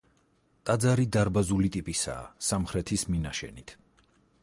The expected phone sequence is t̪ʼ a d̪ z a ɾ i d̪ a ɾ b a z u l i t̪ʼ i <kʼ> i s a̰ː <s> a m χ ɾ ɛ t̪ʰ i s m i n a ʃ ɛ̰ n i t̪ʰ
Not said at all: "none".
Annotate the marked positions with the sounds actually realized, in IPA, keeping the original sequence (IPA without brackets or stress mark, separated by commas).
pʼ, s